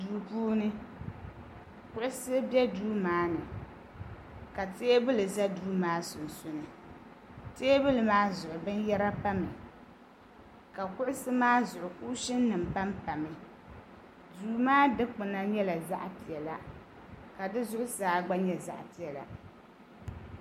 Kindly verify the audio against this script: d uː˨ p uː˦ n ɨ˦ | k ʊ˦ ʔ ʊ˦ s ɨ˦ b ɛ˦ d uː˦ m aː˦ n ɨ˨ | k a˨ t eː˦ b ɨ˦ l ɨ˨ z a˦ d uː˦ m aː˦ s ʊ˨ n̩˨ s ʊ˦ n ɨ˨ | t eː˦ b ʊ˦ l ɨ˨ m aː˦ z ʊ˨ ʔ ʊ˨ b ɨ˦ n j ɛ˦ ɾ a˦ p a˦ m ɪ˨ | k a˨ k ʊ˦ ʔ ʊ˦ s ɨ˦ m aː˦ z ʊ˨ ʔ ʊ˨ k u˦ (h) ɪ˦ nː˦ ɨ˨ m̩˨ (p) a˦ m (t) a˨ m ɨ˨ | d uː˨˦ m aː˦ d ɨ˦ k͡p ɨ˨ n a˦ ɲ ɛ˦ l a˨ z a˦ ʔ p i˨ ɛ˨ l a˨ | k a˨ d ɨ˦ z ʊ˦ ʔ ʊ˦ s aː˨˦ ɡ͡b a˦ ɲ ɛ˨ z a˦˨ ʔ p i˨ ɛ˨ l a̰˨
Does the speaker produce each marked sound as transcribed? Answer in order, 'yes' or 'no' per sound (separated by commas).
no, yes, no